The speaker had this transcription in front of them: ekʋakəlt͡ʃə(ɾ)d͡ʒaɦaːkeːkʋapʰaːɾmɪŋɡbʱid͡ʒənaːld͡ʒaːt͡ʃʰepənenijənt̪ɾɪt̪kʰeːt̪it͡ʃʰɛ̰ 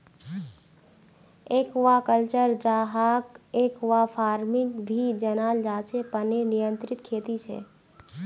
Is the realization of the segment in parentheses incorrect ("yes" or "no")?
no